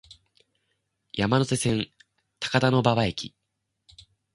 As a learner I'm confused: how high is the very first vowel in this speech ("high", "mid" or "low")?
low